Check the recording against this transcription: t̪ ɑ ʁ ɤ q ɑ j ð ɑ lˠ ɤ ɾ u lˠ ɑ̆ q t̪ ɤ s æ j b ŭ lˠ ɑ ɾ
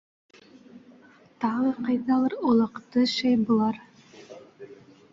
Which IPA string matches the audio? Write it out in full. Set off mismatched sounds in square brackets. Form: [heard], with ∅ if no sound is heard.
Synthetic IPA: t̪ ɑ ʁ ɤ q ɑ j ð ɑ lˠ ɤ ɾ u lˠ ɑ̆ q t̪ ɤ [ʃ] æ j b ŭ lˠ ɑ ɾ